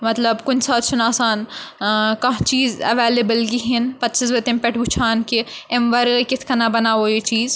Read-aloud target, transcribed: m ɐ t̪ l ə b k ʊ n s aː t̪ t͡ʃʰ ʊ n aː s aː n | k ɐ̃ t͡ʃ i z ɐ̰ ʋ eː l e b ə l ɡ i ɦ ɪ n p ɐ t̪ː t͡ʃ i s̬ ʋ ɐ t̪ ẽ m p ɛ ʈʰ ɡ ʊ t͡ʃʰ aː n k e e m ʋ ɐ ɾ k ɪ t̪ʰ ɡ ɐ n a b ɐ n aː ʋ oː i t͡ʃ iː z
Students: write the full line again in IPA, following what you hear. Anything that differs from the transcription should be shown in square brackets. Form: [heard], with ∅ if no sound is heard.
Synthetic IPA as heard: m ɐ t̪ l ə b k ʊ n s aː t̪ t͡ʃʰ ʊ n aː s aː n | k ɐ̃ t͡ʃ [iː] z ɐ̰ ʋ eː l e b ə l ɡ i ɦ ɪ n p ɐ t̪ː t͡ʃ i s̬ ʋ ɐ t̪ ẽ m p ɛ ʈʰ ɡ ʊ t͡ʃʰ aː n k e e m ʋ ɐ ɾ k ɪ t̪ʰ [k] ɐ n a b ɐ n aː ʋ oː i t͡ʃ iː z